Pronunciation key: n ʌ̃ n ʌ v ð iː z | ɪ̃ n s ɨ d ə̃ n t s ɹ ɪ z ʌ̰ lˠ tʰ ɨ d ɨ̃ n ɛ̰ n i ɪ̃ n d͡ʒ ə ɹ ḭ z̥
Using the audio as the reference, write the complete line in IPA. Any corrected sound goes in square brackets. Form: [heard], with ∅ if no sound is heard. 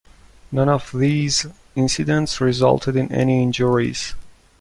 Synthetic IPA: n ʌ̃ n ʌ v ð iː z | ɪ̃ n s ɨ d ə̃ n t s ɹ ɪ z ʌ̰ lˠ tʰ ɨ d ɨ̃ n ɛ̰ n i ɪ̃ n d͡ʒ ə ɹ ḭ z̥